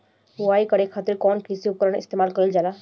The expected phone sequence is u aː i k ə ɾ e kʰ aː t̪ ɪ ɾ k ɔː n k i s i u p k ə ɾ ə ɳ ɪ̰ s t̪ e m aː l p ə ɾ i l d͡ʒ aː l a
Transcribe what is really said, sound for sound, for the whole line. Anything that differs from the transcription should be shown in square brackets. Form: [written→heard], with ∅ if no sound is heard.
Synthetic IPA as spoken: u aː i k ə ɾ e kʰ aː t̪ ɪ ɾ k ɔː n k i s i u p k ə ɾ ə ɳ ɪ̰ s t̪ e m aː l [p→k] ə ɾ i l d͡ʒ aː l a